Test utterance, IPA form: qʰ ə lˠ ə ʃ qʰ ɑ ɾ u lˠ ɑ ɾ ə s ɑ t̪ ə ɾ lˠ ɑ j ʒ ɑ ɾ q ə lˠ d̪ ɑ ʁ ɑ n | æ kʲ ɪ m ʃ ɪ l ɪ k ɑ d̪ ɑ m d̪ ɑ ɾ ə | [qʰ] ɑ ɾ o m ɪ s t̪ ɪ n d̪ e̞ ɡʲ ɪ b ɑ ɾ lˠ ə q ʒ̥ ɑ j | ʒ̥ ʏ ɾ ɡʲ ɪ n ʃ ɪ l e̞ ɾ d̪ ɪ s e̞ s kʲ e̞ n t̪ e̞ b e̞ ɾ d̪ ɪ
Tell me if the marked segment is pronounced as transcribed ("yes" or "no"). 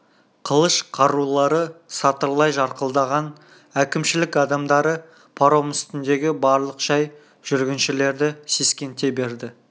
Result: no